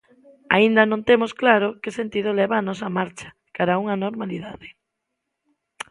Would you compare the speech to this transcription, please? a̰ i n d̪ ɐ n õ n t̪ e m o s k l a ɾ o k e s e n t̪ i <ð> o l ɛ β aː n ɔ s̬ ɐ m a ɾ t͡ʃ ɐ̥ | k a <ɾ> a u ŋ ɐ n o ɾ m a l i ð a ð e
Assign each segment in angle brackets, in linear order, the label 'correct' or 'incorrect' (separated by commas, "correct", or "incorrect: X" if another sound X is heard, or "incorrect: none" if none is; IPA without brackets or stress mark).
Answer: correct, correct